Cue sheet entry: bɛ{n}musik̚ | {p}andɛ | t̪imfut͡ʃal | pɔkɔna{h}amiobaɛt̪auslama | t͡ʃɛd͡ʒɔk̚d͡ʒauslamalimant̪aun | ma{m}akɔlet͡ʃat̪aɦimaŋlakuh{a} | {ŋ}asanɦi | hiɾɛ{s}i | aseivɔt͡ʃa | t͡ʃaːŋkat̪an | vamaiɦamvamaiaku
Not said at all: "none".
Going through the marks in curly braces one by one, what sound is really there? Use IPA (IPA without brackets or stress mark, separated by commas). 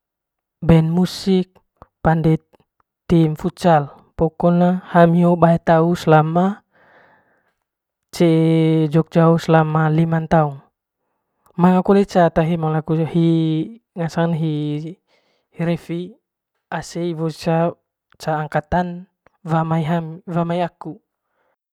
n, p, h, ŋ, i, ŋ, f